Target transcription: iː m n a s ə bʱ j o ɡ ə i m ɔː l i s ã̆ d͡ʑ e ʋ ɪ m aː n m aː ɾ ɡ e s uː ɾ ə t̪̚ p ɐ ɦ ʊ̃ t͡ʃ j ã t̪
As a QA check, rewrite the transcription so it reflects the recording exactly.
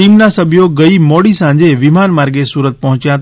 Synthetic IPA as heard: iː m n a s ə bʱ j o ɡ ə i m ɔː ɽ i s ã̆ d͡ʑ e ʋ ɪ m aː n m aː ɾ ɡ e s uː ɾ ə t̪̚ p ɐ ɦ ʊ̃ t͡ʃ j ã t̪